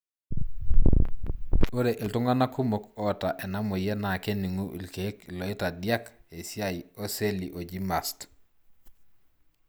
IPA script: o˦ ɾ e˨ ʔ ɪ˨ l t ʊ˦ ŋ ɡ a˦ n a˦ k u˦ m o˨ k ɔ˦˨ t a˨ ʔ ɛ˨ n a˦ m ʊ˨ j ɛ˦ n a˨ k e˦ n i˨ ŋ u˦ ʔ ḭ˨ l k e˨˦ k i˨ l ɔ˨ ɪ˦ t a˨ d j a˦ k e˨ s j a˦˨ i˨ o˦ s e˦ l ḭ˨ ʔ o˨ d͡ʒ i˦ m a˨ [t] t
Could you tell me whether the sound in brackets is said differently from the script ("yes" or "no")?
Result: yes